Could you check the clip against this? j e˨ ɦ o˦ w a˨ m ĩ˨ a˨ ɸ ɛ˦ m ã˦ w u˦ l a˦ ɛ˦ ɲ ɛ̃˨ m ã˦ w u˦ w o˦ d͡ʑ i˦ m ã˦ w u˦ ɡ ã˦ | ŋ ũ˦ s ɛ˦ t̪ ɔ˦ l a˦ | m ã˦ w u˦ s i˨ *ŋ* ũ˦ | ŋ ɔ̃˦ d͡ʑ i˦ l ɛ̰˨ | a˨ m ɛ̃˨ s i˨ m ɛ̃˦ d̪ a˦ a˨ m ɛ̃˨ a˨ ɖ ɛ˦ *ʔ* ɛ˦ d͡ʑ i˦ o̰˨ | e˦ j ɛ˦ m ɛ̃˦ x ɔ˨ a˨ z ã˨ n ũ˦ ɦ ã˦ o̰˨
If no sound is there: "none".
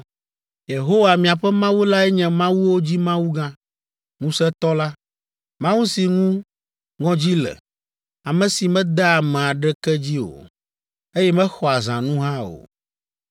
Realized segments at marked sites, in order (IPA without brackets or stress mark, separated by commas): ŋ, k